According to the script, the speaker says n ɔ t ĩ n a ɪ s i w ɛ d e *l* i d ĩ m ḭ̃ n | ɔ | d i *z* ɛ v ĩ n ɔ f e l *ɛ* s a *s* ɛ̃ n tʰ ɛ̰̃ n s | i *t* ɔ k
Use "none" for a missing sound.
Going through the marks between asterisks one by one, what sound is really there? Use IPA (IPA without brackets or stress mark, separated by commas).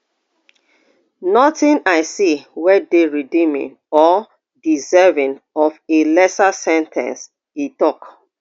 ɹ, z, ɛ, s, t